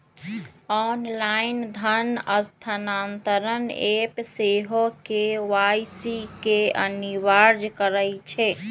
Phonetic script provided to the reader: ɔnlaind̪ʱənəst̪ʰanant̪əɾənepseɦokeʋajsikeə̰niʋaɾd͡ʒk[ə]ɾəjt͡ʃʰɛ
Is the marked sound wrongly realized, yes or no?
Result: no